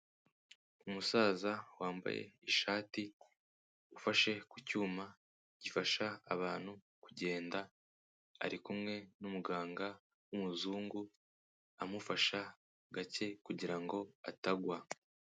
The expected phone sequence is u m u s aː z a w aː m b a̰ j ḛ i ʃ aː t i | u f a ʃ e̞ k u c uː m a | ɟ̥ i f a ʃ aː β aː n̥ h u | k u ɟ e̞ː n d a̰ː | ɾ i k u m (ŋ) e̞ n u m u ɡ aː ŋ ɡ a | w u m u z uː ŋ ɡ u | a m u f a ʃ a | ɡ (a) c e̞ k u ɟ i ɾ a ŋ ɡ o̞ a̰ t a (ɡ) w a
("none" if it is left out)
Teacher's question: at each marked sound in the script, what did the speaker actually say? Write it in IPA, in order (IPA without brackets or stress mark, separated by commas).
ŋ, a, ɡ